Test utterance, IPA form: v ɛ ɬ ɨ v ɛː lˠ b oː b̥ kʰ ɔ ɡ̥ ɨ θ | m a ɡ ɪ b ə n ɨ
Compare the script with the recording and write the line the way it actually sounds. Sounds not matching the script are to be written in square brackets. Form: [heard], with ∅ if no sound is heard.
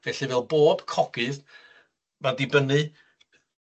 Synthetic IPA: v ɛ ɬ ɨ v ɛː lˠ b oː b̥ kʰ ɔ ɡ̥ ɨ [ð] | m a [d] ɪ b ə n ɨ

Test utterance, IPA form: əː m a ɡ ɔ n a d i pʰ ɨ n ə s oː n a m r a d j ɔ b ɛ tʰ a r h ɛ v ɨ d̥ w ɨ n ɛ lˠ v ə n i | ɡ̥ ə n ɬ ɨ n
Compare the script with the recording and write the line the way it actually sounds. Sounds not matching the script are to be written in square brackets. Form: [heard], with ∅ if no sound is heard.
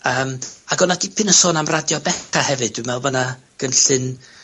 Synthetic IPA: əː m a ɡ ɔ n a d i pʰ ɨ n ə s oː n a m r a d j ɔ b ɛ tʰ a [∅] h ɛ v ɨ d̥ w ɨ [m] ɛ lˠ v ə n [a] | ɡ̥ ə n ɬ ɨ n

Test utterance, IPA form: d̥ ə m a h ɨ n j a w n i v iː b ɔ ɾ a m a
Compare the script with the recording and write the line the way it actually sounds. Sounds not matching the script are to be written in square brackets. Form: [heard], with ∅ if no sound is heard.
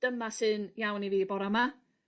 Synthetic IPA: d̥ ə m a [s] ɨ n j a w n i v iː b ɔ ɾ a m a

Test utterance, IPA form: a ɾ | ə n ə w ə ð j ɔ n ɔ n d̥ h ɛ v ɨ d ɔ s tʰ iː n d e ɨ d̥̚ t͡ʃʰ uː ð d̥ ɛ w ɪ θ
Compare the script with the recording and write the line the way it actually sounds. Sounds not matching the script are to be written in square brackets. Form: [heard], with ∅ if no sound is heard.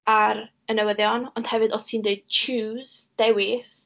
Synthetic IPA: a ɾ | ə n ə w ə ð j ɔ n ɔ n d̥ h ɛ v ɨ d ɔ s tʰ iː n d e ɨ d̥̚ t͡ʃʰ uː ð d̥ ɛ w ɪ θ

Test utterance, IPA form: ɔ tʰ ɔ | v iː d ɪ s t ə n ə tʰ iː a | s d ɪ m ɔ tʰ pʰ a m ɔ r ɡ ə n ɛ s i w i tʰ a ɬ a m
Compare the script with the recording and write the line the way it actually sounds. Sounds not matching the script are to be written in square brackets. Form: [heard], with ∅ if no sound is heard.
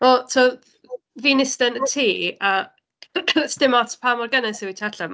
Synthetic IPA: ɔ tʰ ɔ | v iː [n] ɪ s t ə n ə tʰ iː a | s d ɪ m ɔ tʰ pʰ a m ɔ r ɡ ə n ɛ s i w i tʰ a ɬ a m

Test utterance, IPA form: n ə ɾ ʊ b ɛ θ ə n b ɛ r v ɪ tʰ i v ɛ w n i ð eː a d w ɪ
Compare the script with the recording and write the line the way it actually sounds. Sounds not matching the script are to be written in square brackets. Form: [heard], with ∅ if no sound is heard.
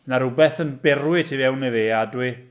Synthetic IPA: n [a] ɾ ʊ b ɛ θ ə n b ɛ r [w] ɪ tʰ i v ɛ w n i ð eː a d w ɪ

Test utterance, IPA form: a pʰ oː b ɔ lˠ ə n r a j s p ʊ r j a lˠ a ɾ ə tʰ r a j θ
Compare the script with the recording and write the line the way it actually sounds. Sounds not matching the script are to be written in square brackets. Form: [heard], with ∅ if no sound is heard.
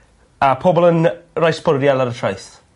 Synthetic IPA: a pʰ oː b ɔ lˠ ə n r a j s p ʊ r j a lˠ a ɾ ə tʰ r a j θ

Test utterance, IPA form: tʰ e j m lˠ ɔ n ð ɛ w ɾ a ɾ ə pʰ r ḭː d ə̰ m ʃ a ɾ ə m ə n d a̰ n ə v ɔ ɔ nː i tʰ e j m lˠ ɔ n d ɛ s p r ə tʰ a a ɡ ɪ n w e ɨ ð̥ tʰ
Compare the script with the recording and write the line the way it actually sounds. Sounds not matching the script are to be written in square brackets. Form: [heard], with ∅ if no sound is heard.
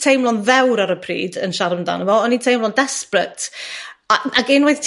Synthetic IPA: tʰ e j m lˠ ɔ n ð ɛ w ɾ a ɾ ə pʰ r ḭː d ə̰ [n] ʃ a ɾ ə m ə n d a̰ n ə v ɔ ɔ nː i tʰ e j m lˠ ɔ n d ɛ s p r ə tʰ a a ɡ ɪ n w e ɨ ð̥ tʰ

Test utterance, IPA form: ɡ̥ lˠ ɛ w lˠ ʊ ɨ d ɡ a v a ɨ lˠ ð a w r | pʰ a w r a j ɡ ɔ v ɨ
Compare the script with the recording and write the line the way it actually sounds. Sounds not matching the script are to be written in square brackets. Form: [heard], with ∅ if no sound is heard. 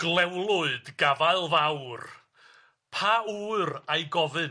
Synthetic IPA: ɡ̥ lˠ ɛ w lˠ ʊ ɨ d ɡ a v a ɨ lˠ [v] a w r | pʰ a [u] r a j ɡ ɔ v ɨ

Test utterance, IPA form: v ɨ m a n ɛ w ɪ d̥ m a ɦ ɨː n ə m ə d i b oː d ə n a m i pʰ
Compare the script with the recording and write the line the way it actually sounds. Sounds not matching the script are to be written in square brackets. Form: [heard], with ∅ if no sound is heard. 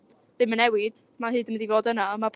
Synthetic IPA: [ð] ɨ m [ə] n ɛ w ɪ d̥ m a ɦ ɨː [d] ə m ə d i [v] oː d ə n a m [a] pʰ

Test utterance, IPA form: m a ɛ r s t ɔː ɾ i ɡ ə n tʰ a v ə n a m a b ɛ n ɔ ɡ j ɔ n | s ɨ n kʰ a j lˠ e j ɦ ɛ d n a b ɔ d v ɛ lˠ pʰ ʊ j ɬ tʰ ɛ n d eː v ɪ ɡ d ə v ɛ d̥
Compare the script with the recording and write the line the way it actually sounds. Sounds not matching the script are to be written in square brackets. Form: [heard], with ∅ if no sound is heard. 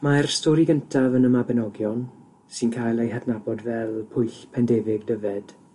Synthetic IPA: m a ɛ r s t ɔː ɾ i ɡ ə n tʰ a v ə n [ə] m a b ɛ n ɔ ɡ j ɔ n | s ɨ n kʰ a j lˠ e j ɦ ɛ d n a b ɔ d v ɛ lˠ pʰ ʊ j ɬ [pʰ] ɛ n d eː v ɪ ɡ d ə v ɛ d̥

